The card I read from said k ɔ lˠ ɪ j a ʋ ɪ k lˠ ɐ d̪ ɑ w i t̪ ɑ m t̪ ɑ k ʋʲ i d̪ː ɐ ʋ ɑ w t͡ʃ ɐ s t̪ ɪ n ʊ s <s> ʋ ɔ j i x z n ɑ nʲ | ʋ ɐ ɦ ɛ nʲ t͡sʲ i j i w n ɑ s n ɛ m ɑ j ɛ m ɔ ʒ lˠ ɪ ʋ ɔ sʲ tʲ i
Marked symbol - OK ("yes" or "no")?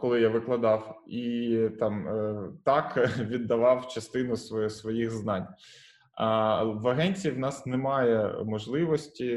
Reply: yes